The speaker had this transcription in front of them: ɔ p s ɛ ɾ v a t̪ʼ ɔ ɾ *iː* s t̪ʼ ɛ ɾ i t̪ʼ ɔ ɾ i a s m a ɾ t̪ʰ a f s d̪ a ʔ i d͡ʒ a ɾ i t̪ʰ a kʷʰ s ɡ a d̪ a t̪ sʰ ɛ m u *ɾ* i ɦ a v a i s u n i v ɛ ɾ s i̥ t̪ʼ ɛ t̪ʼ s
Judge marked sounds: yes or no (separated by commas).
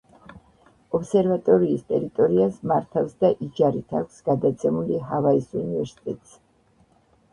yes, no